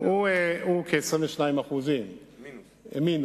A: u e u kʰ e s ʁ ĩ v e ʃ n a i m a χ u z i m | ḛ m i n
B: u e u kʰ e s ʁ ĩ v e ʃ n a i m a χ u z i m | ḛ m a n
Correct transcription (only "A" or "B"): A